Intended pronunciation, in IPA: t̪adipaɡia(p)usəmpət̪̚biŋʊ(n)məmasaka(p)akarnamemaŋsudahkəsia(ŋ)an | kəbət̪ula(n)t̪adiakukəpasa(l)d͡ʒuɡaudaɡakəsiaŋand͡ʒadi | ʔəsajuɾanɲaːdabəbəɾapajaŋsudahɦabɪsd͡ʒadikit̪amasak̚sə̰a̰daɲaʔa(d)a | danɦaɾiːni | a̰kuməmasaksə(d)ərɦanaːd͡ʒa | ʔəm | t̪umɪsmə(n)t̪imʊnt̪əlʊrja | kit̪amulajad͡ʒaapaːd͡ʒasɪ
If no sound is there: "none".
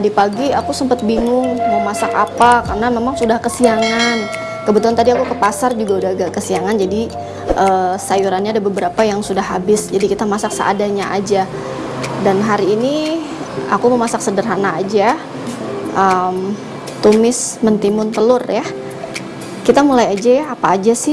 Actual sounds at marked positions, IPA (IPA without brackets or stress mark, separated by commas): k, ŋ, p, ŋ, n, r, d͡ʒ, d, n